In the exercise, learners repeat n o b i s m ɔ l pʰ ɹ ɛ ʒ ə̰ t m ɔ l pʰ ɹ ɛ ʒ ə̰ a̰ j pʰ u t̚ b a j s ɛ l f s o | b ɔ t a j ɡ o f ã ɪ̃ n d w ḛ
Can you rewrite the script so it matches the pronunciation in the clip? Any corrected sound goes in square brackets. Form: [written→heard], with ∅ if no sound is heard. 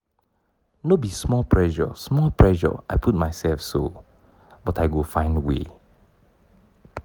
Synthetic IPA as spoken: n o b i s m ɔ l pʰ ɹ ɛ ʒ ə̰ [t→s] m ɔ l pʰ ɹ ɛ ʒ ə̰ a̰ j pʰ u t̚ [b→m] a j s ɛ l f s o | b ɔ t a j ɡ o f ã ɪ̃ n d w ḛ